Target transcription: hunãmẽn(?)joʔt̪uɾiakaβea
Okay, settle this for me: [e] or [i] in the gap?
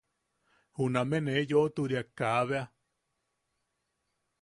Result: e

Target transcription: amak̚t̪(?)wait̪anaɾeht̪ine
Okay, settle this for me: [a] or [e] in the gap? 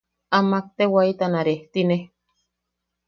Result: e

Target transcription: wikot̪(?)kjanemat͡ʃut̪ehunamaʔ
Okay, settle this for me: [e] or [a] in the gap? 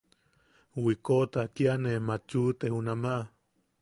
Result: a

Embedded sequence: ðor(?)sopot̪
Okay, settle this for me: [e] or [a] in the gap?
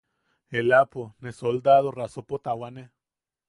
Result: a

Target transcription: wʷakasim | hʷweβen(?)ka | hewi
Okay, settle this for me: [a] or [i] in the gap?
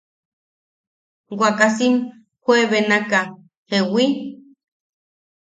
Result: a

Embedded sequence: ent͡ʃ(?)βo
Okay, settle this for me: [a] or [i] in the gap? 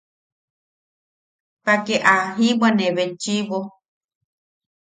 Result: i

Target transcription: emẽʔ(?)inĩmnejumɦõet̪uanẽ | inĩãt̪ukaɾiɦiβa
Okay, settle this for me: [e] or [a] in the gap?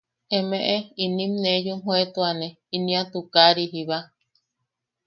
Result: e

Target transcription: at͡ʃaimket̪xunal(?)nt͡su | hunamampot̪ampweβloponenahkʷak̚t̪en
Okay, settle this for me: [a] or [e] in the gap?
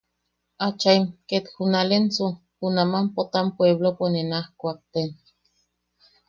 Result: e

